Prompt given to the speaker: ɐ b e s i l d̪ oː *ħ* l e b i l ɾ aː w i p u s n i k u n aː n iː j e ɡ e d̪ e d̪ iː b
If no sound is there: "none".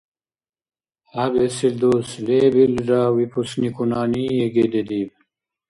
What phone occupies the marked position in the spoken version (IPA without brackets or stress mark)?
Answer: s